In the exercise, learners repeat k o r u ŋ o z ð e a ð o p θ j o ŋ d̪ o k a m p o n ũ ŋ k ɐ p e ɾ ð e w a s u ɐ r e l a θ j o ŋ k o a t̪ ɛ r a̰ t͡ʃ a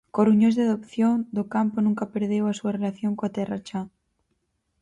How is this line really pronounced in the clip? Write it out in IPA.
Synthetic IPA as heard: k o r u ɲ o z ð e a ð o p θ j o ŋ d̪ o k a m p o n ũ ŋ k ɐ p e ɾ ð e w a s u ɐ r e l a θ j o ŋ k o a t̪ ɛ r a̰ t͡ʃ a